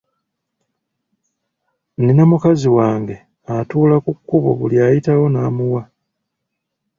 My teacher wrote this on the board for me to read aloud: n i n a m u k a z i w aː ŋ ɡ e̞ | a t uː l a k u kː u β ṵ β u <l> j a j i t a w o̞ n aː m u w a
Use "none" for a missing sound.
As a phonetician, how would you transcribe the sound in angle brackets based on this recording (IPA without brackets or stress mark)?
l